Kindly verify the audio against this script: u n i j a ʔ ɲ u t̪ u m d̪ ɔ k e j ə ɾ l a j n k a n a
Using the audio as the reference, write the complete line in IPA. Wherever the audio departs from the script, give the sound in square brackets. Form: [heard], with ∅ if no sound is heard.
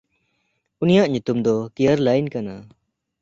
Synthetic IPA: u n i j a ʔ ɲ u t̪ u m d̪ ɔ k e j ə ɾ l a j n k a n a